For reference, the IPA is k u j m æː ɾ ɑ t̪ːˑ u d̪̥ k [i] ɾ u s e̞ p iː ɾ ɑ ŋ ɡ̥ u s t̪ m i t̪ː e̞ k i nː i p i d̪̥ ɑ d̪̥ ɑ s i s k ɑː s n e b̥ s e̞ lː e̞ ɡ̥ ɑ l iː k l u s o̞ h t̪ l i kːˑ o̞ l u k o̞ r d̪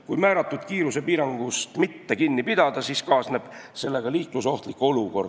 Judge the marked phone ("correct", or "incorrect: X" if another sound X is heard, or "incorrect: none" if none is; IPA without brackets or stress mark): incorrect: iː